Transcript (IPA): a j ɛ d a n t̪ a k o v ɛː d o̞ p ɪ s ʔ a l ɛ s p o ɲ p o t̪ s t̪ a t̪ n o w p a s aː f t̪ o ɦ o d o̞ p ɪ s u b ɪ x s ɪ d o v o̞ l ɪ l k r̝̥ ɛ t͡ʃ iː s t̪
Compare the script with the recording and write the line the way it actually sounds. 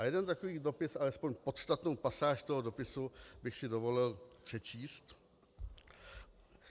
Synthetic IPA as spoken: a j ɛ d ɛ n t̪ a k o v iː d o̞ p ɪ s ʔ a l ɛ s p o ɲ p o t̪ s t̪ a t̪ n o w p a s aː ʃ t̪ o ɦ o d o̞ p ɪ s u b ɪ x s ɪ d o v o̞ l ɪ l p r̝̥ ɛ t͡ʃ iː s t̪